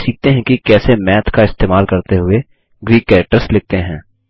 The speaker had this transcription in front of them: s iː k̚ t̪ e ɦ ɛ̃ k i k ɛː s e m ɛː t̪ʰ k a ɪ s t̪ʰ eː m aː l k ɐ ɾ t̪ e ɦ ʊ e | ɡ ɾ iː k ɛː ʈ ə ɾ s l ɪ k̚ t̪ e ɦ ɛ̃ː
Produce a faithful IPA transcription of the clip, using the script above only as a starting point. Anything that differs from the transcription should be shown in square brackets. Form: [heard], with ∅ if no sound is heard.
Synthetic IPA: s iː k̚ t̪ e ɦ ɛ̃ k i k ɛː s e m ɛː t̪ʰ k a ɪ s [t̪] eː m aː l k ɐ ɾ t̪ e ɦ ʊ e | ɡ ɾ iː k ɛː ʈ ə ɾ s l ɪ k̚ t̪ e ɦ ɛ̃ː